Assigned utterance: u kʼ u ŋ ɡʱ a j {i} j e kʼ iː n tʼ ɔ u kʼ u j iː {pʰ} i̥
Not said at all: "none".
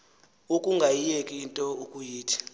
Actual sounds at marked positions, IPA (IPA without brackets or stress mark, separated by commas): i, tʰ